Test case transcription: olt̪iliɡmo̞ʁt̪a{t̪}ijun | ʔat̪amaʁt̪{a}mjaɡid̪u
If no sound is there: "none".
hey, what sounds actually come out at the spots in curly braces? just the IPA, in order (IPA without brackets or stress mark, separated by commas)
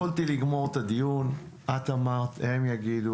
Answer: d̪, e